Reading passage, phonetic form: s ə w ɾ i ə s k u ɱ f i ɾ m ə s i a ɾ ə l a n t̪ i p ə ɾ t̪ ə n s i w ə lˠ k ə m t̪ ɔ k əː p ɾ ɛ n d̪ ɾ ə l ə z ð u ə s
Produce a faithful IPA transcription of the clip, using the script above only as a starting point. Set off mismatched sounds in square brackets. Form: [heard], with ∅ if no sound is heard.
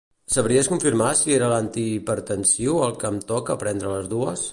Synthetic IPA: s ə [β] ɾ i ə s k u ɱ f i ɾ m [a] s i [e] ɾ ə l a n t̪ i p ə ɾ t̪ ə n s i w ə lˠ k ə m t̪ ɔ k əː p ɾ ɛ n d̪ ɾ ə l ə z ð u ə s

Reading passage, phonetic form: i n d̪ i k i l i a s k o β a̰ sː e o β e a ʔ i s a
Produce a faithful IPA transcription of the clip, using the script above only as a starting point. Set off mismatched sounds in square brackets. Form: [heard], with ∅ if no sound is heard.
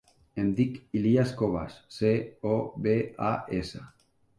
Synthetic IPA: [e] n d̪ i k i l i a s k o β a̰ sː e o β e a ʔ [e] s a

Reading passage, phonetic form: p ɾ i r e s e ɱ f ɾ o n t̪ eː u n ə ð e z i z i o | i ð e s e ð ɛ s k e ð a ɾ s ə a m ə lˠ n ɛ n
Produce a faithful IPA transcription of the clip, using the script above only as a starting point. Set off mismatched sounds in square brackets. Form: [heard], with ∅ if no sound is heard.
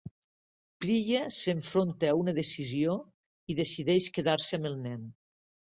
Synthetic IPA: p ɾ i [ʎ] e s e ɱ f ɾ o n t̪ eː u n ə ð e [s] i z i o | i ð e s [i] ð ɛ [ʃ] k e ð a ɾ s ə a m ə lˠ n ɛ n

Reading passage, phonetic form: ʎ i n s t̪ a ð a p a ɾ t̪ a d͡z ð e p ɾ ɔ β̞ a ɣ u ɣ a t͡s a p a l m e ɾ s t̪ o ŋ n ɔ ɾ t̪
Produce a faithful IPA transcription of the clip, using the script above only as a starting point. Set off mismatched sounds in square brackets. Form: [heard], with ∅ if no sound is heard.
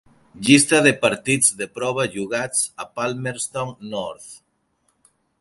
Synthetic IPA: ʎ i [∅] s t̪ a ð [e] p a ɾ t̪ [i] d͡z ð e p ɾ ɔ β̞ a [ʒ] u ɣ a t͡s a p a l m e ɾ s t̪ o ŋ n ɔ ɾ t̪

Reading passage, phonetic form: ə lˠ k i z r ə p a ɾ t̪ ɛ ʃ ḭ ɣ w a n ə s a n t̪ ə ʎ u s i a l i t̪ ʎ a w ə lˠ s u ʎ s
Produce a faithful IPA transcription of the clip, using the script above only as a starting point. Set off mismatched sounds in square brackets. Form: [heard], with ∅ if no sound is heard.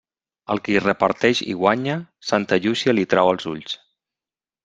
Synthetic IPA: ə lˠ k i [∅] r ə p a ɾ t̪ ɛ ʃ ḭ ɣ w a [ɲ] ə s a n t̪ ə ʎ u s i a l i t̪ [ɾ] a w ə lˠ [z] u ʎ s

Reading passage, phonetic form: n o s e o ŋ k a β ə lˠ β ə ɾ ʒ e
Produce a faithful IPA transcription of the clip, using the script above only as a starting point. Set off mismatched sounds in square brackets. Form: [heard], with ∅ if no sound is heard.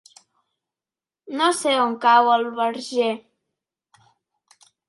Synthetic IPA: n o s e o ŋ k a [w] ə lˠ β ə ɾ ʒ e

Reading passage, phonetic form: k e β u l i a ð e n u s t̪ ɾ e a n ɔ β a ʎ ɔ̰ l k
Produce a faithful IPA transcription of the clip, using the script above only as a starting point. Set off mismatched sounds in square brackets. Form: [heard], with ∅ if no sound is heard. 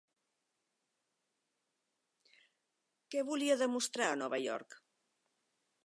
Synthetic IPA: k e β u l i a ð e [m] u s t̪ ɾ [a] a n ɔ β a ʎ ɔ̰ [ɾ] k

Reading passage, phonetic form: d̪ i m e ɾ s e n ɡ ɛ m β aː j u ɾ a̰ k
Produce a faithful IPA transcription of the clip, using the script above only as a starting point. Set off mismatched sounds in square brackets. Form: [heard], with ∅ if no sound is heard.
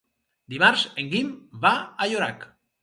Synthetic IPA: d̪ i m [a] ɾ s e [ŋ] ɡ [i] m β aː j [o] ɾ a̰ k

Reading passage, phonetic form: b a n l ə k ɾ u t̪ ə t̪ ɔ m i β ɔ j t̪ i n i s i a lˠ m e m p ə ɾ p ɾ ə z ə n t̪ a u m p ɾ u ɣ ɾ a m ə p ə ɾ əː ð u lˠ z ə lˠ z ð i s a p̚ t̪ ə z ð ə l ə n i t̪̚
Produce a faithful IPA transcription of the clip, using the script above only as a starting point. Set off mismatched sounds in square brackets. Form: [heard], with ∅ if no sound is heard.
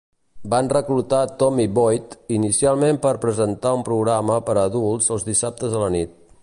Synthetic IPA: b a n [r] ə k [l] u t̪ [a] t̪ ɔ m i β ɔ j t̪ i n i s i a lˠ m e m p ə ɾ p ɾ ə z ə n t̪ a u m p ɾ u ɣ ɾ a m ə p ə ɾ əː ð u lˠ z ə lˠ z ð i s a p̚ t̪ ə z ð ə l ə n i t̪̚

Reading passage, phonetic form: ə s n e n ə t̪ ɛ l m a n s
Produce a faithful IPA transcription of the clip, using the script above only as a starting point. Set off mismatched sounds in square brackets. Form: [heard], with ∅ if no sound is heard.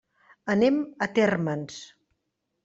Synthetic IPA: ə [∅] n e [m] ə t̪ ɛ [r] m [ə] n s

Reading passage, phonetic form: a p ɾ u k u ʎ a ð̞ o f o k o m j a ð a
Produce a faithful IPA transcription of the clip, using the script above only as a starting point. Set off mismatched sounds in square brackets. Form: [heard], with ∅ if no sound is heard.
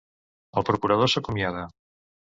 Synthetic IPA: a p ɾ [o] k u [ɾ] a ð̞ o [s] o k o m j a ð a

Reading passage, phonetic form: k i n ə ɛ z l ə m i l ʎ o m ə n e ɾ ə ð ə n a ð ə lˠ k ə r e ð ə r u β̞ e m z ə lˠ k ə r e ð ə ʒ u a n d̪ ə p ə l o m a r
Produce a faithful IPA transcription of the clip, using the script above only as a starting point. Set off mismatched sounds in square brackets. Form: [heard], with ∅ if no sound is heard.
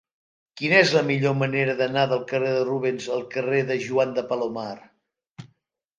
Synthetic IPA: k i n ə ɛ z l ə m i [∅] ʎ o m ə n e ɾ ə ð ə n a ð ə lˠ k ə r e ð ə r u β̞ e [n] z ə lˠ k ə r e ð ə ʒ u a n d̪ ə p ə l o m a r

